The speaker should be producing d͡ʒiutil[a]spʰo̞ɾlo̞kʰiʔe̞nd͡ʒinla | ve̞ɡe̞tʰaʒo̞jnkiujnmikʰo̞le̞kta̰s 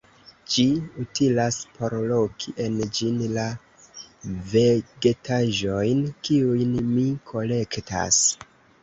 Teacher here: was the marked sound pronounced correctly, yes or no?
yes